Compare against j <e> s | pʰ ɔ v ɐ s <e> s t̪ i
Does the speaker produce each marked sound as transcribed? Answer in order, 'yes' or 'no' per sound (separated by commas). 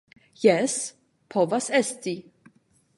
no, no